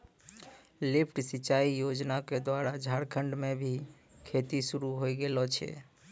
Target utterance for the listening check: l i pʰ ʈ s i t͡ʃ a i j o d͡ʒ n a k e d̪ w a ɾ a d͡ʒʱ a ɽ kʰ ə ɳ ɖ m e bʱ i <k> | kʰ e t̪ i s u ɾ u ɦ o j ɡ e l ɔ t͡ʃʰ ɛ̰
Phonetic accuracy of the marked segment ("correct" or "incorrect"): incorrect